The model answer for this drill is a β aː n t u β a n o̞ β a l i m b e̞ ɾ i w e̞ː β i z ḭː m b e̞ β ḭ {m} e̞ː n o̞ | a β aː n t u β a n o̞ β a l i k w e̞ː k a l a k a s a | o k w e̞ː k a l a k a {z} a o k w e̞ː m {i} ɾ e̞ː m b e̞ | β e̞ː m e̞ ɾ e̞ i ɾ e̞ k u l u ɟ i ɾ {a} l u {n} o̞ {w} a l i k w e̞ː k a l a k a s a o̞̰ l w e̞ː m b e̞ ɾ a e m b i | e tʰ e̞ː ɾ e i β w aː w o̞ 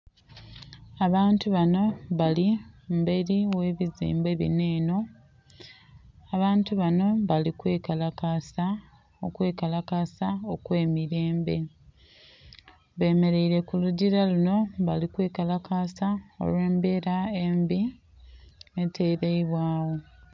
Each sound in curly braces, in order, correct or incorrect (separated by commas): incorrect, incorrect, correct, correct, correct, incorrect